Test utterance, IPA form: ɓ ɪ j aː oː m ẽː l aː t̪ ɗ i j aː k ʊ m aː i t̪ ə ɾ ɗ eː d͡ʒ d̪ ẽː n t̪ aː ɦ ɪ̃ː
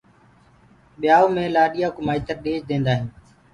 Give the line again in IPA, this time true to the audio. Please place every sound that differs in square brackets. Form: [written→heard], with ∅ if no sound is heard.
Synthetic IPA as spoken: ɓ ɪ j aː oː m ẽː l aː [t̪→∅] ɗ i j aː k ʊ m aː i t̪ ə ɾ ɗ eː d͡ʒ d̪ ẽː n [t̪→d̪] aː ɦ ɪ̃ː

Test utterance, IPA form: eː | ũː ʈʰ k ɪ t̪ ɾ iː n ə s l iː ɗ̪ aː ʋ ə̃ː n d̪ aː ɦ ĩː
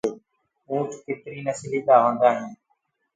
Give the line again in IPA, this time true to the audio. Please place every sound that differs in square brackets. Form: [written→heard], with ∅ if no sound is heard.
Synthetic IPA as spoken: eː | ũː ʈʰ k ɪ t̪ ɾ iː n ə s l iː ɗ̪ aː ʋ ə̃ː n d̪ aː ɦ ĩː

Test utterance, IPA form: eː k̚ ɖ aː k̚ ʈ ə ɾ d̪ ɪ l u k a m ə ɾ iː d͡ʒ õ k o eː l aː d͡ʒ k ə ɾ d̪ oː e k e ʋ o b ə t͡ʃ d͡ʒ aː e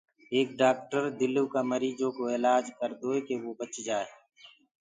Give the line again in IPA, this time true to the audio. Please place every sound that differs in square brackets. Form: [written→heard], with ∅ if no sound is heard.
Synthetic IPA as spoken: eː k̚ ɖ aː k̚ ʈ ə ɾ d̪ ɪ l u k a m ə ɾ iː d͡ʒ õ k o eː l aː d͡ʒ k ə ɾ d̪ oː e k e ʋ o b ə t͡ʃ d͡ʒ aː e

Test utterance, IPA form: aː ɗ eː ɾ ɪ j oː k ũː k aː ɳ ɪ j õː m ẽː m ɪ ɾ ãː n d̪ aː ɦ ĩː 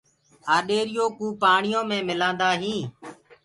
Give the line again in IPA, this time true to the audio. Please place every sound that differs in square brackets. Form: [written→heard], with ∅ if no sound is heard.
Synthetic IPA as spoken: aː ɗ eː ɾ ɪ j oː k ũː [k→p] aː ɳ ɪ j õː m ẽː m ɪ [ɾ→l] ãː n d̪ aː ɦ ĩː

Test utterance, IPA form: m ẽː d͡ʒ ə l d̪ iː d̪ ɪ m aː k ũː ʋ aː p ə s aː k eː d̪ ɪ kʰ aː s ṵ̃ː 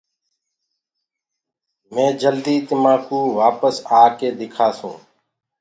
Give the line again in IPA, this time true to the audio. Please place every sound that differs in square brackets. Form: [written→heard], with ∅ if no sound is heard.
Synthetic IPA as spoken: m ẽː d͡ʒ ə l d̪ iː [d̪→t̪] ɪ m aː k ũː ʋ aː p ə s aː k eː d̪ ɪ kʰ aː s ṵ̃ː

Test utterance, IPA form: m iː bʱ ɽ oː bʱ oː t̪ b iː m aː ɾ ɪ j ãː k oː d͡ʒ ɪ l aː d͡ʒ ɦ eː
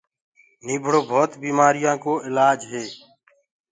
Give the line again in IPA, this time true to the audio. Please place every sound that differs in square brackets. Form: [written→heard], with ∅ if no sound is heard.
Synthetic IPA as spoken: [m→n] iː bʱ ɽ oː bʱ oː t̪ b iː m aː ɾ ɪ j ãː k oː [d͡ʒ→∅] ɪ l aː d͡ʒ ɦ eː

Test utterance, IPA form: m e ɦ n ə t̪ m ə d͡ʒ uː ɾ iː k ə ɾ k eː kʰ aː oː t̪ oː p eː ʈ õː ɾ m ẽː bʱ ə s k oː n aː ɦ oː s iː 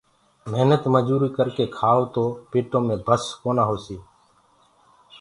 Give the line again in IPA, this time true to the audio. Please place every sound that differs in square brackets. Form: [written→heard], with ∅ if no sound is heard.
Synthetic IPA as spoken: m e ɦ n ə t̪ m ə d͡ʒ uː ɾ iː k ə ɾ k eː kʰ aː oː t̪ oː p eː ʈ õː [ɾ→∅] m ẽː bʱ ə s k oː n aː ɦ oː s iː

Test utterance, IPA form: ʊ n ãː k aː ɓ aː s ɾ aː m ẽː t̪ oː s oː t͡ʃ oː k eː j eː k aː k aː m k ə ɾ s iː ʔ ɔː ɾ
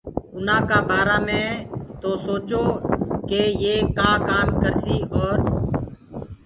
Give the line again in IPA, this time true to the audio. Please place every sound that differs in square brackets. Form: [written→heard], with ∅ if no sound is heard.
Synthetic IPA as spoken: ʊ n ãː k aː [ɓ→b] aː [s→∅] ɾ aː m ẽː t̪ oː s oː t͡ʃ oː k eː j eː k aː k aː m k ə ɾ s iː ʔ ɔː ɾ

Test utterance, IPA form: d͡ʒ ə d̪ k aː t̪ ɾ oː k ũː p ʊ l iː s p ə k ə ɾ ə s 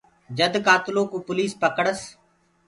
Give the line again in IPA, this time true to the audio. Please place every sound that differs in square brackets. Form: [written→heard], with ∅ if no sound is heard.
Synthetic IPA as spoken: d͡ʒ ə d̪ k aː t̪ [ɾ→l] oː k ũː p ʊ l iː s p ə k ə [ɾ→ɽ] ə s

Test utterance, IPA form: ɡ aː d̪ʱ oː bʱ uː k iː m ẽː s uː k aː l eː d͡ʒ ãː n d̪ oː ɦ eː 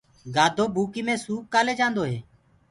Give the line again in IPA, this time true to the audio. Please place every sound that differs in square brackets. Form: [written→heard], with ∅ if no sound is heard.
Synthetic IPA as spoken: ɡ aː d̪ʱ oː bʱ uː k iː m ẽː s uː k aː l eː d͡ʒ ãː n d̪ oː ɦ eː

